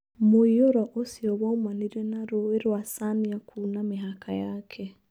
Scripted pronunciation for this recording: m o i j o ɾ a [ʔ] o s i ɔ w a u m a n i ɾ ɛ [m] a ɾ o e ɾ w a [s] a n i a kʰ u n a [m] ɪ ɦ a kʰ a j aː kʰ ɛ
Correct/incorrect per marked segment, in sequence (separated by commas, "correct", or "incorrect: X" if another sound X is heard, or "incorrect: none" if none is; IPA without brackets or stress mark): correct, incorrect: n, correct, correct